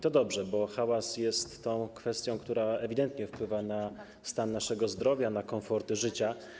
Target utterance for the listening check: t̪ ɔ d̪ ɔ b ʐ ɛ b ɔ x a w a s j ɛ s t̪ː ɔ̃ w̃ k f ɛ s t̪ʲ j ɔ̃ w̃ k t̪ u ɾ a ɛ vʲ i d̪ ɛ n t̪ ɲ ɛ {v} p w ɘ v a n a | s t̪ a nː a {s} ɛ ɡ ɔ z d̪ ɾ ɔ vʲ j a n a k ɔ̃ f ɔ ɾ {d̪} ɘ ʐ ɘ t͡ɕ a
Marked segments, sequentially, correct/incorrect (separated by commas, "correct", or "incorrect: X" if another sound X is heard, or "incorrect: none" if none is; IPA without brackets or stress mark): incorrect: f, incorrect: ʂ, incorrect: t̪